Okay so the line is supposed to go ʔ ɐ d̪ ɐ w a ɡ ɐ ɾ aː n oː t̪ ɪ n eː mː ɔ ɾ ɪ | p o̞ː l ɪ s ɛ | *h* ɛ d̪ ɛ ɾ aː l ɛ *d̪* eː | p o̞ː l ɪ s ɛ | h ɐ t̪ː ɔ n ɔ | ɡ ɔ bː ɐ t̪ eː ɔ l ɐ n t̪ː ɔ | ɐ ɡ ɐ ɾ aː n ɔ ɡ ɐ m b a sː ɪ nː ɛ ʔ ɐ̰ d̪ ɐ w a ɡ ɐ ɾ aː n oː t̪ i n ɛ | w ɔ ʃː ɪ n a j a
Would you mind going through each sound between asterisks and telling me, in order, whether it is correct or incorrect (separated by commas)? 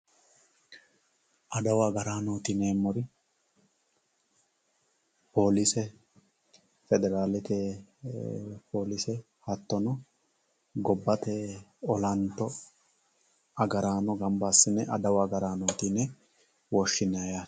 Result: incorrect, incorrect